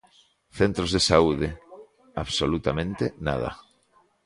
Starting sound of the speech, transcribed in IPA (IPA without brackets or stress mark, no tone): θ